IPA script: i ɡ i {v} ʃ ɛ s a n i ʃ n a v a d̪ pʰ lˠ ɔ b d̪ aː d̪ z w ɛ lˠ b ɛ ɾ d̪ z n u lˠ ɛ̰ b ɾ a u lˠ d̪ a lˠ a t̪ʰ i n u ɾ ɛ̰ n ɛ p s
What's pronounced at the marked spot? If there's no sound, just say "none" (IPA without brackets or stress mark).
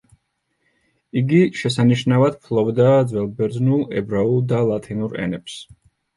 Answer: none